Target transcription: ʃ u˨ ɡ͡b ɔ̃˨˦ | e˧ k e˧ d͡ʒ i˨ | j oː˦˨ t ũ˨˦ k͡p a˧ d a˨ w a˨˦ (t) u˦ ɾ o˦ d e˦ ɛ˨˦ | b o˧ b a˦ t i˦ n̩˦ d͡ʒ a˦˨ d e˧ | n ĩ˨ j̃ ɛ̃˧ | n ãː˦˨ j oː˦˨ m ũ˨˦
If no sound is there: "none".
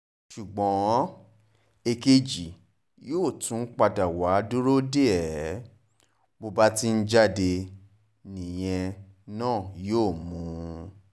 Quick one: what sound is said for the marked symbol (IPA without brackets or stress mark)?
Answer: d